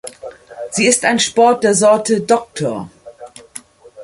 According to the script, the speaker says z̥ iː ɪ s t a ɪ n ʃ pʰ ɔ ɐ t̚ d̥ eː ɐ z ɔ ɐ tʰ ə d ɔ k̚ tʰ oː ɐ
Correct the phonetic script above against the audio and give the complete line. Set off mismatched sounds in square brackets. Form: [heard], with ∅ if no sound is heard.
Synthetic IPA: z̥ iː ɪ s t a ɪ n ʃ [p] ɔ ɐ t̚ d̥ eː ɐ z ɔ ɐ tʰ ə d ɔ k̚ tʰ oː ɐ